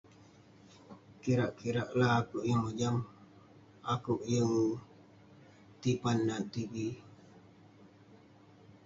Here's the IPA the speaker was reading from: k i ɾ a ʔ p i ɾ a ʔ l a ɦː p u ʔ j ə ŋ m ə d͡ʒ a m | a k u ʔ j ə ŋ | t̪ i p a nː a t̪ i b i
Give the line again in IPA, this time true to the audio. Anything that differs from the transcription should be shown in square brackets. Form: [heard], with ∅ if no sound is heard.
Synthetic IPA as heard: k i ɾ a ʔ [k] i ɾ a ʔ l a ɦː [k] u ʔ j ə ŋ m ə d͡ʒ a m | a k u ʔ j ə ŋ | t̪ i p a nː a t̪ i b i

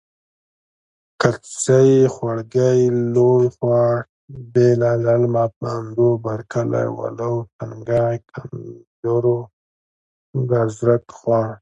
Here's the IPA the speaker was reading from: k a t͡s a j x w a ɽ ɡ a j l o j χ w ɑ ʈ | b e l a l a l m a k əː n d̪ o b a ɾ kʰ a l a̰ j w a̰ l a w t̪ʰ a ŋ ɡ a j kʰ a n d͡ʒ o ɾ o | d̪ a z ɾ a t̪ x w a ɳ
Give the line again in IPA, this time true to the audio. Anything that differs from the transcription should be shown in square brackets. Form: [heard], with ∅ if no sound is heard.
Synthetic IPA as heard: k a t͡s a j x w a ɽ ɡ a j l o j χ w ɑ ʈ | b e l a l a l m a [p] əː n d̪ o b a ɾ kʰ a l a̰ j w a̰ l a w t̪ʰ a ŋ ɡ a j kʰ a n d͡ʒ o ɾ o | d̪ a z ɾ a t̪ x w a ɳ

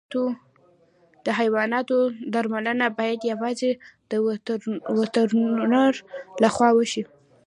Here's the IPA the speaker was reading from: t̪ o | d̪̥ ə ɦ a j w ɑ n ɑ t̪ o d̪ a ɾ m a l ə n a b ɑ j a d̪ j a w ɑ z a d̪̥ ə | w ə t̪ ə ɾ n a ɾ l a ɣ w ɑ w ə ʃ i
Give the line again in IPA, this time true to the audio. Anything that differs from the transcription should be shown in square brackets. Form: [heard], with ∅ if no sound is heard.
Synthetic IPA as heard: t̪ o | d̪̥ ə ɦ a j w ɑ n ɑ t̪ o d̪ a ɾ m a l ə n a b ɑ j a d̪ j a w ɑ z [e] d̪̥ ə | w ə t̪ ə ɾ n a ɾ l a [x] w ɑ w ə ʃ i

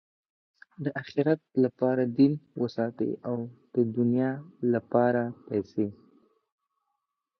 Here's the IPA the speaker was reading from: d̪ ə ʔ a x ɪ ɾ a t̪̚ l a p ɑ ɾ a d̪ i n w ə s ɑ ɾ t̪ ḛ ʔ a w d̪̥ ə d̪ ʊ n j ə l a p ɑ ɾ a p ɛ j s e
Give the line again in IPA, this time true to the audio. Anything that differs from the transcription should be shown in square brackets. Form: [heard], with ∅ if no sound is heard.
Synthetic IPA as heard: d̪ ə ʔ a x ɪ ɾ a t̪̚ l a p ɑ ɾ a d̪ i n w ə s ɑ [∅] t̪ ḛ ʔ a w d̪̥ ə d̪ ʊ n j [ɑ] l a p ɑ ɾ a p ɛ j s e

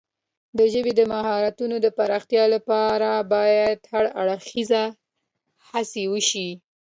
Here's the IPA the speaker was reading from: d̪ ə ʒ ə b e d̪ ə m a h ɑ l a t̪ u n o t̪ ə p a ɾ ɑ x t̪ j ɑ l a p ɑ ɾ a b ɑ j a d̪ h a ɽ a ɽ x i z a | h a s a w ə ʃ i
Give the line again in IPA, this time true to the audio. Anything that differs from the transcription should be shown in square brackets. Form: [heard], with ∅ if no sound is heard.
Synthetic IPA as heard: d̪ ə ʒ ə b e d̪ ə m a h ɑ [ɾ] a t̪ u n o [d̪] ə p a ɾ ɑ x t̪ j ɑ l a p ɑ ɾ a b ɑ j a d̪ h a ɽ a ɽ x i z a | h a s [e] w ə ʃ i

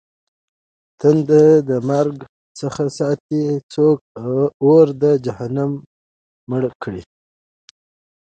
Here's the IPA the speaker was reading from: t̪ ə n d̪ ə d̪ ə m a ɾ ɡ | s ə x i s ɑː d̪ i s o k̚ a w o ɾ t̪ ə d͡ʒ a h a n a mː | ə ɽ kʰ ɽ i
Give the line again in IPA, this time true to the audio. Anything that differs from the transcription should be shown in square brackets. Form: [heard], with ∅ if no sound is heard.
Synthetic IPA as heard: t̪ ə n d̪ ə d̪ ə m a ɾ ɡ | s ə x [a] s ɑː [t̪] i [t͡s] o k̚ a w o ɾ [d̪] ə d͡ʒ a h a n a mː | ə ɽ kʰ ɽ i

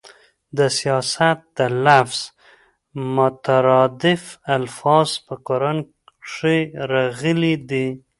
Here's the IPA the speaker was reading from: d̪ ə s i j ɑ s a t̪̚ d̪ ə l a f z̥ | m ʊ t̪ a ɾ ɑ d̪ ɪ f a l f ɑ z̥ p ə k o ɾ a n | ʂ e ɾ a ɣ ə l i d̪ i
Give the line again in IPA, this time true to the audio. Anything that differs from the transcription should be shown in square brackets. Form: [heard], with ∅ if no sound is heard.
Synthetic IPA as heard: d̪ ə s i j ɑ s a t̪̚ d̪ ə l a f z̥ | m ʊ t̪ a ɾ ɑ d̪ ɪ f a l f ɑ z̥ p ə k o ɾ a n | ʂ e ɾ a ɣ ə l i d̪ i

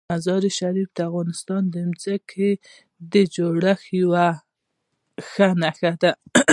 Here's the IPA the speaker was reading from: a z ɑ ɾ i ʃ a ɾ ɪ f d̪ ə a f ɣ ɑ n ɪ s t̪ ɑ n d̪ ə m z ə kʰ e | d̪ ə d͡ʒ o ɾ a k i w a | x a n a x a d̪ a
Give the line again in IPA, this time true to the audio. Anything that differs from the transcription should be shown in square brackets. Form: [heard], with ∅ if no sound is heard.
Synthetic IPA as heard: a z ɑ ɾ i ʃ a ɾ [i] f d̪ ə a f ɣ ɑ n ɪ s t̪ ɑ n d̪ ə m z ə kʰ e | d̪ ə d͡ʒ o [ɽ] a [x] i w a | x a n a x a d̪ a

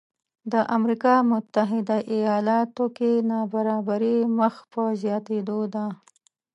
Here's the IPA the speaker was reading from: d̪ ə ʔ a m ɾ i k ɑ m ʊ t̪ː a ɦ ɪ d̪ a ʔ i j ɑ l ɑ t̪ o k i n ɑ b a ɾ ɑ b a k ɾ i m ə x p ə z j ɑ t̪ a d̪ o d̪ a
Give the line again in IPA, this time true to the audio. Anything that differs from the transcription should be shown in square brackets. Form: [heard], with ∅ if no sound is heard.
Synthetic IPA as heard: d̪ ə ʔ a m ɾ i k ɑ m ʊ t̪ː a ɦ ɪ d̪ a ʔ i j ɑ l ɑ t̪ o k [e] n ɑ b a ɾ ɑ b a [∅] ɾ i m ə x p ə z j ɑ t̪ [e] d̪ o d̪ a

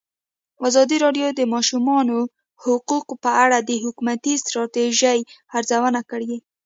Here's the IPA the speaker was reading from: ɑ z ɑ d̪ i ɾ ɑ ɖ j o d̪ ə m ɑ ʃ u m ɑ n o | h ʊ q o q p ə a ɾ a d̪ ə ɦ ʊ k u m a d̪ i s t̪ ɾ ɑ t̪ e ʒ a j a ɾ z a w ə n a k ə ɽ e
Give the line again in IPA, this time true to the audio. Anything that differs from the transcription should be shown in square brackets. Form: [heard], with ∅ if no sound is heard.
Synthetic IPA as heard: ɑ z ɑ d̪ i ɾ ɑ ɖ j o d̪ ə m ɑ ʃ u m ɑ n o | h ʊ q [u] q p ə a [ɽ] a d̪ ə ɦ ʊ k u m a [t̪] i s t̪ ɾ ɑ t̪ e ʒ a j a ɾ z a w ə n a k ə ɽ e

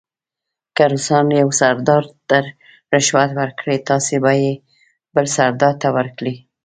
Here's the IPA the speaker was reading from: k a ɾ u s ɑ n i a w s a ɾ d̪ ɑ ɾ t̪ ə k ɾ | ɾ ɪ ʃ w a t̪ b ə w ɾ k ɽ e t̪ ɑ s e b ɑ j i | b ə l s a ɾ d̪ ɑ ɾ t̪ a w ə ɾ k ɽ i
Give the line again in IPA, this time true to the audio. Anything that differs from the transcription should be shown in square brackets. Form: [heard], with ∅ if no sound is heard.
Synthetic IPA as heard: k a ɾ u s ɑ n [j] a w s a ɾ d̪ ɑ ɾ t̪ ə [∅] ɾ | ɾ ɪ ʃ w a t̪ [w] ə [∅] ɾ k ɽ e t̪ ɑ s e b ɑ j [e] | b ə l s a ɾ d̪ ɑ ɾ t̪ a w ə ɾ k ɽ i

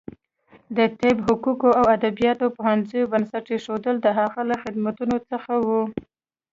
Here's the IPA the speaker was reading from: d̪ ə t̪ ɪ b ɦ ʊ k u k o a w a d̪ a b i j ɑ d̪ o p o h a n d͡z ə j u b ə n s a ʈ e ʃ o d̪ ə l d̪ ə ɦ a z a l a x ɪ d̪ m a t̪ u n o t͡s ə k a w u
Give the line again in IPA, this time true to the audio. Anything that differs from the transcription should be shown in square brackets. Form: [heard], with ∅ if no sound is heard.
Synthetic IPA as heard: d̪ ə t̪ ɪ b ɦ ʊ k u k o a w a d̪ a b i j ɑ [t̪] o p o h a n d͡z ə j [o] b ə n s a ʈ e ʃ o d̪ ə l d̪ ə ɦ a [ɣ] a l a x ɪ d̪ m a t̪ u n o t͡s ə [x] a w u

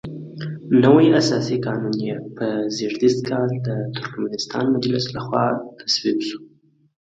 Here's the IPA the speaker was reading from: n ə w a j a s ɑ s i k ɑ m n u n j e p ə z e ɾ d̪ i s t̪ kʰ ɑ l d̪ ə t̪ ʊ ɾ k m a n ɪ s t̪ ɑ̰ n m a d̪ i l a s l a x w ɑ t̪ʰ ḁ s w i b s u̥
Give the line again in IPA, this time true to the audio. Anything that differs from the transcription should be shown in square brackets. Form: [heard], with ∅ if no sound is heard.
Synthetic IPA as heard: n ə w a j a s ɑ s i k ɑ [∅] n u n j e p ə z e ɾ d̪ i s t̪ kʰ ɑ l d̪ ə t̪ ʊ ɾ k m a n ɪ s t̪ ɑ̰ n m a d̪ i l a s l a x w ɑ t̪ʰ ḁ s w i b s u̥

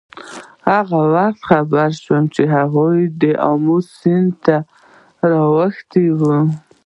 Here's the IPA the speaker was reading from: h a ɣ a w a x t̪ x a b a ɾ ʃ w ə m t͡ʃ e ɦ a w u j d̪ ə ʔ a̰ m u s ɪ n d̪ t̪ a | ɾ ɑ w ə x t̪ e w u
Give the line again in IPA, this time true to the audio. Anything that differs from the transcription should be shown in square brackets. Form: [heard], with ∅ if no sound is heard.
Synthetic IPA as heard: h a ɣ a w a x t̪ x a b a ɾ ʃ w ə m t͡ʃ e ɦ a [ɣ] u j d̪ ə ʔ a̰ m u s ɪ n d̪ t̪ a | ɾ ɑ w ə x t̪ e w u

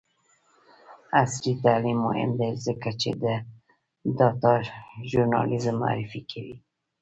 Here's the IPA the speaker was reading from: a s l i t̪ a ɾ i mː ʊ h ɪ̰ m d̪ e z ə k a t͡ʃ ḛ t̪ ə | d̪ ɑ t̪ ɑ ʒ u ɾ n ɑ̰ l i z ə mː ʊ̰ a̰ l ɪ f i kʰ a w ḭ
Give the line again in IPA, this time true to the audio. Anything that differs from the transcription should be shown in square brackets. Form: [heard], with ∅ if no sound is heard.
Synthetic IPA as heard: a s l i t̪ a [l] i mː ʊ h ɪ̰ m d̪ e z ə k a t͡ʃ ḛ [d̪] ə | d̪ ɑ t̪ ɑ ʒ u ɾ n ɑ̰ l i z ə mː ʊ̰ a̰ [ɾ] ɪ f i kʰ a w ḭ

